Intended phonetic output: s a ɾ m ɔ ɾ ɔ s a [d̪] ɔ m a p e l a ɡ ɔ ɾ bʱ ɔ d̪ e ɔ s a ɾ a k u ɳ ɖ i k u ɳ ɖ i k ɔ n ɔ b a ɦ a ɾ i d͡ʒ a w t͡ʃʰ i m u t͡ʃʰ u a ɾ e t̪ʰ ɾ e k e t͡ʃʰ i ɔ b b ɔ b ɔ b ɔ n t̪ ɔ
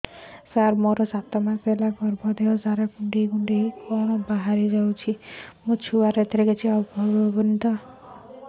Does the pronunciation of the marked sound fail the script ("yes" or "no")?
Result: yes